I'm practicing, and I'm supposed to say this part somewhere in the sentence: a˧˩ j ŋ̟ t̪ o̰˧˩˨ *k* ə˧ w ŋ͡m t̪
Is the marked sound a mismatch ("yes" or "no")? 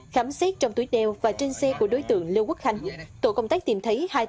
no